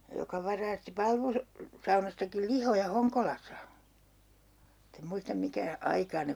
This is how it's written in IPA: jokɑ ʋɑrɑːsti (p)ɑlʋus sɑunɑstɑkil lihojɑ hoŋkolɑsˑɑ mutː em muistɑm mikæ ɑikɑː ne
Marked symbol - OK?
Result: yes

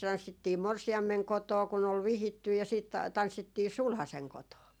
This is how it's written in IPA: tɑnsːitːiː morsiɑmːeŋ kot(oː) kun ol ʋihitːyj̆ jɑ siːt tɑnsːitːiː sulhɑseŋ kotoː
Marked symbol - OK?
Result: yes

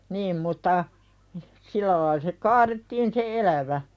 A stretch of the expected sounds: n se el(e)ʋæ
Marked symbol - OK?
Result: no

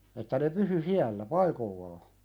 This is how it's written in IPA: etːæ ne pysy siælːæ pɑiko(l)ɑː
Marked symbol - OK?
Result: no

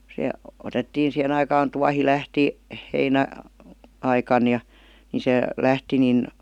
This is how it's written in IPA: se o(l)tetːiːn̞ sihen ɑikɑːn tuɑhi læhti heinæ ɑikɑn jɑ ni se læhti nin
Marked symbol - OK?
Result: no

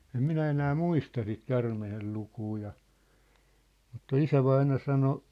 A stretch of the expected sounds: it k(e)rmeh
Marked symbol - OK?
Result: no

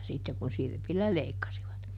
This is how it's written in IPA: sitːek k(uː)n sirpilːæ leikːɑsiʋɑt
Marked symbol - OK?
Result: no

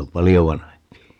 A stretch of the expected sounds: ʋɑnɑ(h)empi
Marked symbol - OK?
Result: yes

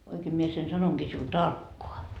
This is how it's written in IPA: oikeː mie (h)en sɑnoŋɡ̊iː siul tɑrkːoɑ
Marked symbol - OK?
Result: no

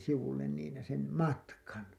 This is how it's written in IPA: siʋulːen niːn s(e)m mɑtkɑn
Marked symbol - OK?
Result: yes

